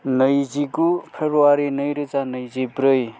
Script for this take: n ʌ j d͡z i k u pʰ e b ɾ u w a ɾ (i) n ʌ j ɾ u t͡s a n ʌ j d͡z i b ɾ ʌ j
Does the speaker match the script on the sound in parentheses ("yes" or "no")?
yes